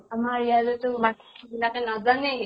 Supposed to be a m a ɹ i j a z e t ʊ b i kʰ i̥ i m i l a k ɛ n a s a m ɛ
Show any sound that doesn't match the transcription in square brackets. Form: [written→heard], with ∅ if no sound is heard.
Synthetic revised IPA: a m a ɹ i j a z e t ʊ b [i→a] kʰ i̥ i [m→b] i l a k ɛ n a [s→z] a [m→n] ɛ